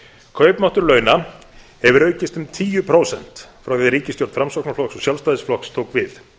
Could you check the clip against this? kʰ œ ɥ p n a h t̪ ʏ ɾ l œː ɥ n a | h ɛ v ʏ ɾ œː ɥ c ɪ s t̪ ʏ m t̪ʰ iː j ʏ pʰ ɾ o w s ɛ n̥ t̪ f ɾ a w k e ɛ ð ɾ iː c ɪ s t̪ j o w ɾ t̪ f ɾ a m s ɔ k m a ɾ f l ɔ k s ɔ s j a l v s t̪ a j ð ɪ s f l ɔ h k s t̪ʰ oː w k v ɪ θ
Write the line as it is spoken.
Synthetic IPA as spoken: kʰ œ ɥ p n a h t̪ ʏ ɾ l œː ɥ n a | h ɛ v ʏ ɾ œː ɥ c ɪ s t̪ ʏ m t̪ʰ iː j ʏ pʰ ɾ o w s ɛ n̥ t̪ f ɾ a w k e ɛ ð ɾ iː c ɪ s t̪ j o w ɾ t̪ f ɾ a m s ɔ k n a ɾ f l ɔ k s ɔ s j a l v s t̪ a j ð ɪ s f l ɔ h k s t̪ʰ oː w k v ɪ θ